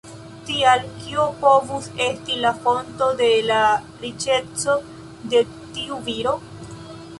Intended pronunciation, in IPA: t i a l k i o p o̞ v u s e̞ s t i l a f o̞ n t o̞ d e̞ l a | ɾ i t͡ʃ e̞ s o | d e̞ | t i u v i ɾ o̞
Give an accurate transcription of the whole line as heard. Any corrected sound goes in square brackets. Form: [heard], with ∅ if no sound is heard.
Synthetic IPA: t i a l k i o p o̞ v u s e̞ s t i l a f o̞ n t o̞ d e̞ l a | ɾ i t͡ʃ e̞ [t͡s] o | d e̞ | t i u v i ɾ o̞

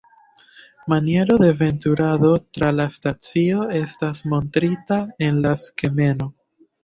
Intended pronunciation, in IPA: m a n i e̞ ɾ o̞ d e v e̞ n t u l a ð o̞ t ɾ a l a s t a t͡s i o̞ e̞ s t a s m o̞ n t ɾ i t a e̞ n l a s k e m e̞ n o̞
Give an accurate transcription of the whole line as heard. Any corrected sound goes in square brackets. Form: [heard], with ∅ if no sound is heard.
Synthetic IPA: m a n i e̞ ɾ o̞ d e v e̞ n t u [ɾ] a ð o̞ t ɾ a l a s t a t͡s i o̞ e̞ s t a s m o̞ n t ɾ i t a e̞ n l a s k e m e̞ n o̞

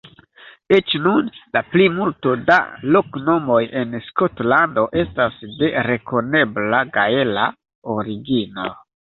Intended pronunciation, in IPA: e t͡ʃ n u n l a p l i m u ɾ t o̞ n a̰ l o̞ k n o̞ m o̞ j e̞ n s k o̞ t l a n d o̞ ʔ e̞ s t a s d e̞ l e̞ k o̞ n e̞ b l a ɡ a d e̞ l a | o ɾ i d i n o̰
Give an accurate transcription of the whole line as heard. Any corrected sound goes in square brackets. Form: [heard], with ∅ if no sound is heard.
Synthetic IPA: e t͡ʃ n u n l a p l i m u [l] t o̞ [d] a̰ l o̞ k n o̞ m o̞ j e̞ n s k o̞ t l a n d o̞ ʔ e̞ s t a s d e̞ [ɾ] e̞ k o̞ n e̞ b l a ɡ a [∅] e̞ l a | o ɾ i [ɡ] i n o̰

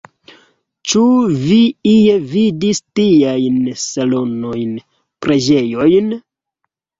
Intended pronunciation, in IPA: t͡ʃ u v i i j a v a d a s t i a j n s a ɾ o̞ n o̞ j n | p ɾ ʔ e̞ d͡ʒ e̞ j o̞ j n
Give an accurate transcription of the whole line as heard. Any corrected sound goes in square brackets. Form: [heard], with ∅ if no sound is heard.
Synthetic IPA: t͡ʃ u v i i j [e] v [i] d [i] s t i a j n s a [l] o̞ n o̞ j n | p ɾ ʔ e̞ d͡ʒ e̞ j o̞ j n

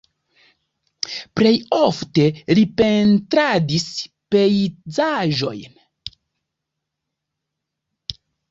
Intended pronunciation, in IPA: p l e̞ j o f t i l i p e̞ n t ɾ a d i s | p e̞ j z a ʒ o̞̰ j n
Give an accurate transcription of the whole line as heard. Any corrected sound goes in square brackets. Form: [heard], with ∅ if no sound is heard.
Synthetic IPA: p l e̞ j o f t [e] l i p e̞ n t ɾ a d i s | p e̞ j z a ʒ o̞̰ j n

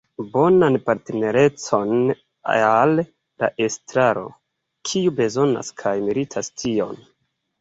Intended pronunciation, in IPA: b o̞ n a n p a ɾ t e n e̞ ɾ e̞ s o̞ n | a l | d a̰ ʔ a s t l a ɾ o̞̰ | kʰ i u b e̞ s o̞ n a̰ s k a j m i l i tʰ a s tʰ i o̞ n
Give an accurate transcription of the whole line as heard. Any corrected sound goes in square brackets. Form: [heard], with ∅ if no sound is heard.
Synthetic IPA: b o̞ n a n p a ɾ t e n e̞ ɾ e̞ [t͡s] o̞ n | a l | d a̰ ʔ [e] s t [ɾ] a ɾ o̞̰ | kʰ i u b e̞ [z] o̞ n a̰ s [kʰ] a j m i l i tʰ a s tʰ i o̞ n

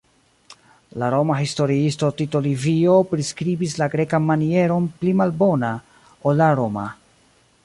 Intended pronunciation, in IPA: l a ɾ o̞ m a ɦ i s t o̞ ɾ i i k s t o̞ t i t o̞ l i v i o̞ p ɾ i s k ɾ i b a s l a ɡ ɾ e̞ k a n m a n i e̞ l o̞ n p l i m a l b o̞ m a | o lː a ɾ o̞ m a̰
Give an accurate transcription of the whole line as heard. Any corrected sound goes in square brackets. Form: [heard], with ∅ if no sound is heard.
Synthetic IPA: l a ɾ o̞ m a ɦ i s t o̞ ɾ i i [∅] s t o̞ t i t o̞ l i v i o̞ p ɾ i s k ɾ i b [i] s l a ɡ ɾ e̞ k a n m a n i e̞ [ɾ] o̞ n p l i m a l b o̞ [n] a | o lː a ɾ o̞ m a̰

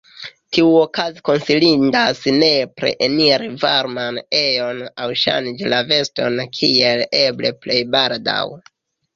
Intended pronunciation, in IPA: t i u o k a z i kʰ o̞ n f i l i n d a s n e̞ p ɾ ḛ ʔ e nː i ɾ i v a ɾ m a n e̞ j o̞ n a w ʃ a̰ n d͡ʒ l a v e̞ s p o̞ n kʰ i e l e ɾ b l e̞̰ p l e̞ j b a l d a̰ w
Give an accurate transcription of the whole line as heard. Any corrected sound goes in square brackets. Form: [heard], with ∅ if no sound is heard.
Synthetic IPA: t i u o k a z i [k] o̞ n [s] i l i n d a s n e̞ p ɾ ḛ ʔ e [n] i ɾ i v a ɾ m a n e̞ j o̞ n a w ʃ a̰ n d͡ʒ l a v e̞ s [t] o̞ n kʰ i e l e [∅] b l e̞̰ p l e̞ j b a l d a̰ w

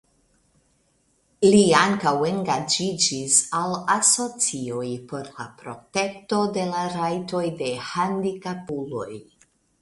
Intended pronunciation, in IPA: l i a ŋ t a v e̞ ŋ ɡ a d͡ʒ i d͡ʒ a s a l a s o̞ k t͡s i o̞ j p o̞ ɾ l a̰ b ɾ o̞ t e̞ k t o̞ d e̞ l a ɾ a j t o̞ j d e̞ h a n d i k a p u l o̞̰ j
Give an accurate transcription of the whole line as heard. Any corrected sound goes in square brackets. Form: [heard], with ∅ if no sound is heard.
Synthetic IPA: l i a ŋ [k] a [w] e̞ ŋ ɡ a d͡ʒ i d͡ʒ [i] s a l a s o̞ [∅] t͡s i o̞ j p o̞ ɾ l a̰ [p] ɾ o̞ t e̞ k t o̞ d e̞ l a ɾ a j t o̞ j d e̞ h a n d i k a p u l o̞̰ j

